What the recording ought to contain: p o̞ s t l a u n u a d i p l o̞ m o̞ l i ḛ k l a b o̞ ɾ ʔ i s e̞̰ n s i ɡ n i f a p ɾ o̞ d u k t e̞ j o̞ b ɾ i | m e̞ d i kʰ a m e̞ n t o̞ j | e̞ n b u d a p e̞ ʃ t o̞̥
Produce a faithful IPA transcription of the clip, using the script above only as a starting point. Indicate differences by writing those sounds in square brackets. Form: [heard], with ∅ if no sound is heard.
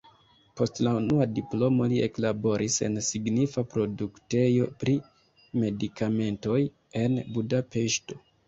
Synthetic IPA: p o̞ s t l a u n u a d i p l o̞ m o̞ l i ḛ k l a b o̞ ɾ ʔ i s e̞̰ n s i ɡ n i f a p ɾ o̞ d u k t e̞ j o̞ [p] ɾ i | m e̞ d i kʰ a m e̞ n t o̞ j | e̞ n b u d a p e̞ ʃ t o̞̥